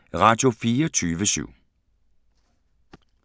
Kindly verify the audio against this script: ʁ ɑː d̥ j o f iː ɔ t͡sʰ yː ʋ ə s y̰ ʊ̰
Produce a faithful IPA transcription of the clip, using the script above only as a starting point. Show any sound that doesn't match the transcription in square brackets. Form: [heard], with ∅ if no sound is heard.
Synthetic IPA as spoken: ʁ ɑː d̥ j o f iː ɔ t͡sʰ yː ʋ ə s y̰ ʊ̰